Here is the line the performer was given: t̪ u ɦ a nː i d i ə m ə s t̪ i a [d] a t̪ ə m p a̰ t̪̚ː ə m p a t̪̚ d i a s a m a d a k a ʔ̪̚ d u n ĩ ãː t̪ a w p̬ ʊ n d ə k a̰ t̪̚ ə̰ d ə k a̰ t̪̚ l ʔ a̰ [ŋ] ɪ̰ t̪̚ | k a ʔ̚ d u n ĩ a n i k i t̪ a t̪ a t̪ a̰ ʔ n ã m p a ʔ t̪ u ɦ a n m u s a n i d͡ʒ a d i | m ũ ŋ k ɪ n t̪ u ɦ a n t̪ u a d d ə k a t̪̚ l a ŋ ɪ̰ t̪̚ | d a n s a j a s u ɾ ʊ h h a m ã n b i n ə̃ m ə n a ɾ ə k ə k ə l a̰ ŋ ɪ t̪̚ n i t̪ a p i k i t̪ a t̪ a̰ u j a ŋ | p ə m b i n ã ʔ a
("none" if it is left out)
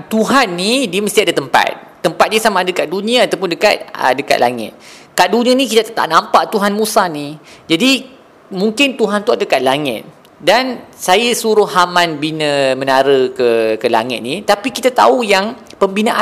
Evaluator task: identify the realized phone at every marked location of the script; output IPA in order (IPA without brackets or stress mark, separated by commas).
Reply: d, ŋ